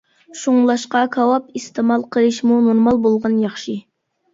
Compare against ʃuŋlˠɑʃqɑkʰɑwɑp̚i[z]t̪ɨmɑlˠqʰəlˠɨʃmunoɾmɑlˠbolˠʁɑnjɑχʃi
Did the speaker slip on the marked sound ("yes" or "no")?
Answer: yes